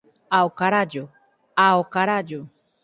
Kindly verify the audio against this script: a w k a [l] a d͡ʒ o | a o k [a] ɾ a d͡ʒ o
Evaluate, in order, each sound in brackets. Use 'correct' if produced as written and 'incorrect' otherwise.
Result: incorrect, correct

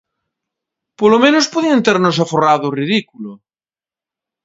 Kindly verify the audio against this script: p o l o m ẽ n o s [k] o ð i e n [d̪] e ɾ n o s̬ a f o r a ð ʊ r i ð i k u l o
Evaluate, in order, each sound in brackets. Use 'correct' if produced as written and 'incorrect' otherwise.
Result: incorrect, incorrect

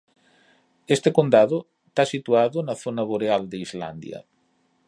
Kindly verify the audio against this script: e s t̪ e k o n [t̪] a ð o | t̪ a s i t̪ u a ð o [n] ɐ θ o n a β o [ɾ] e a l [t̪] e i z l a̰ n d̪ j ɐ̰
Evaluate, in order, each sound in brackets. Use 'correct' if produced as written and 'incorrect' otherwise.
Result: incorrect, correct, correct, incorrect

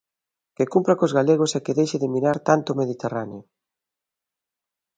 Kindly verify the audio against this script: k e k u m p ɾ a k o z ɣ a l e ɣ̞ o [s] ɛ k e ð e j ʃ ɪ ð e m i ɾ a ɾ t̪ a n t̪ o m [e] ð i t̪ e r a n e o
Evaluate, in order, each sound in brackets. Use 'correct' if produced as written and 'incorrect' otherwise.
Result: correct, correct

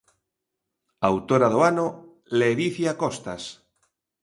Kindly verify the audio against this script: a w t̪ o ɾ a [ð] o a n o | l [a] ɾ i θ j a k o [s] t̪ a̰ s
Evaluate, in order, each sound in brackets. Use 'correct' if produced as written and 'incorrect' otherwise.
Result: correct, incorrect, correct

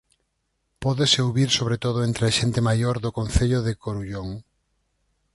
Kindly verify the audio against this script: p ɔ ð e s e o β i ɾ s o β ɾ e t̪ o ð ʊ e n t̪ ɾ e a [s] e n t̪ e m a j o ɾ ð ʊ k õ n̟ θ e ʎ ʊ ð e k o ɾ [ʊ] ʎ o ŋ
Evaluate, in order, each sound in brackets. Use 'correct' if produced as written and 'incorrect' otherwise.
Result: incorrect, incorrect

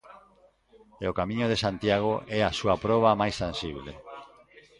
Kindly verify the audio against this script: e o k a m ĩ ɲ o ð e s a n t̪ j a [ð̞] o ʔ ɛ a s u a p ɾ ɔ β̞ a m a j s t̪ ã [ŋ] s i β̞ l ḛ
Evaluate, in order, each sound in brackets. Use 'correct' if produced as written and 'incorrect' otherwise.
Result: incorrect, incorrect

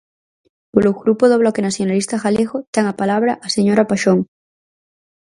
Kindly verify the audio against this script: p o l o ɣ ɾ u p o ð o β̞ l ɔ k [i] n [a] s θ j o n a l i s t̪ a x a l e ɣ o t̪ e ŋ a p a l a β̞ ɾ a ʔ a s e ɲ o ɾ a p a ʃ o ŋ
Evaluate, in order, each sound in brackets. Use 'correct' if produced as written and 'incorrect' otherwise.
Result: incorrect, correct

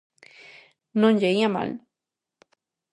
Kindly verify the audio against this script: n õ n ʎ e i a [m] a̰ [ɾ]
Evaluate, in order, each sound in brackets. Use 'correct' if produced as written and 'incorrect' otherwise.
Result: correct, incorrect

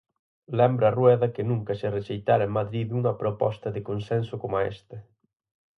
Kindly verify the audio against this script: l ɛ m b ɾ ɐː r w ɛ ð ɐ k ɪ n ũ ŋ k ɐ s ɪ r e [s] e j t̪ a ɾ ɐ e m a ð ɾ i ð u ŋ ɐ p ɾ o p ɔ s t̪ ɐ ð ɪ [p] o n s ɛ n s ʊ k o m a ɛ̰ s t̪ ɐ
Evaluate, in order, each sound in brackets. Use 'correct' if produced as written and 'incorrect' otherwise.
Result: incorrect, incorrect

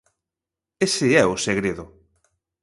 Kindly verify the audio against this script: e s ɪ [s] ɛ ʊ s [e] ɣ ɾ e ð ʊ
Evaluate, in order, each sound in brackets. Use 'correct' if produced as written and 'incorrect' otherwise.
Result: incorrect, correct

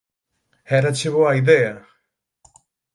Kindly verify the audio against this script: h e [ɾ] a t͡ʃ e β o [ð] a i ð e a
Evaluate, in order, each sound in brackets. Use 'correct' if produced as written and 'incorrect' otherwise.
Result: correct, incorrect

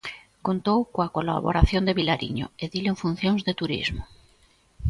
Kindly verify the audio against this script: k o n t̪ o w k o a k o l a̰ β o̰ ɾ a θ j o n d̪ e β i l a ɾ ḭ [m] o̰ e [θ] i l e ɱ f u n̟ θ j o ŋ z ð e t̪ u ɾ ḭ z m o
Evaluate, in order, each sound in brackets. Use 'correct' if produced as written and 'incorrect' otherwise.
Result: incorrect, incorrect

